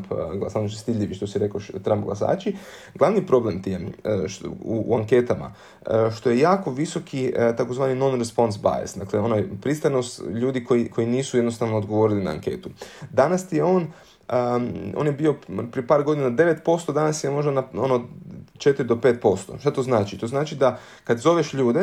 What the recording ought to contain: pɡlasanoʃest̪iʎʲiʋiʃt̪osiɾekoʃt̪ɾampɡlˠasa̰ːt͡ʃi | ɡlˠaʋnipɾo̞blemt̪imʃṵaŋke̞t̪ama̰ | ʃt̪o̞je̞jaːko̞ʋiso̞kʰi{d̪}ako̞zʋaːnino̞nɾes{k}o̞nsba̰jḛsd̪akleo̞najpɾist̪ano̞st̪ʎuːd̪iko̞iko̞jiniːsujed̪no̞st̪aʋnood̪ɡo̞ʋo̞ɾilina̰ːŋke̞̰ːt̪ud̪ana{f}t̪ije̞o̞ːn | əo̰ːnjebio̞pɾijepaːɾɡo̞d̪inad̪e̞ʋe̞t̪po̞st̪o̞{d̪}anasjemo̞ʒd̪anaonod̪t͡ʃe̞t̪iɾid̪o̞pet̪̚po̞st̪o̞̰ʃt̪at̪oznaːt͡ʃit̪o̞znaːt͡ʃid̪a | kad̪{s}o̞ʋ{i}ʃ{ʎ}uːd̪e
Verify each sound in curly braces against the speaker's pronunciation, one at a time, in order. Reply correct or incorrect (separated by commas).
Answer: incorrect, incorrect, incorrect, correct, incorrect, incorrect, correct